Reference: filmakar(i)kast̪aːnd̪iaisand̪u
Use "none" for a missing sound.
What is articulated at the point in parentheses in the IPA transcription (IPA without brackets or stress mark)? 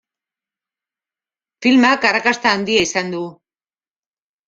a